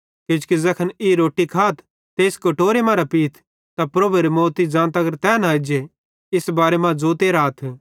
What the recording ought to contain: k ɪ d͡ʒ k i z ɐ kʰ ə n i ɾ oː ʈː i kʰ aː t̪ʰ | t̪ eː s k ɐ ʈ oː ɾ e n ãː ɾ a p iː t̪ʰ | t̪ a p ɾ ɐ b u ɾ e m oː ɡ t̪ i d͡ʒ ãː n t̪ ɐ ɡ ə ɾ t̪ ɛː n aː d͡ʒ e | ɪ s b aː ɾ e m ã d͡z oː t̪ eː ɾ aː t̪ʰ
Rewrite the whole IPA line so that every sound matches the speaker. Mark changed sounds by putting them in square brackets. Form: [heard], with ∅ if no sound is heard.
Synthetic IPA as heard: k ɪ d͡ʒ k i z ɐ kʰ ə n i ɾ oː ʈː i kʰ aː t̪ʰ | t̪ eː s k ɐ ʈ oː ɾ e [m] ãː ɾ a p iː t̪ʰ | t̪ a p ɾ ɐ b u ɾ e m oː [∅] t̪ i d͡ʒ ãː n t̪ ɐ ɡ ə ɾ t̪ ɛː n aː d͡ʒ e | ɪ s b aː ɾ e m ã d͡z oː t̪ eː ɾ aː t̪ʰ